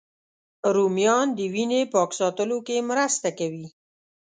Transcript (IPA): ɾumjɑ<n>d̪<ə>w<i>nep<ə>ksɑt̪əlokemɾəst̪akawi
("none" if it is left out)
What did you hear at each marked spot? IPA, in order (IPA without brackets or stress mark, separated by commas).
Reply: n, ə, i, ɑ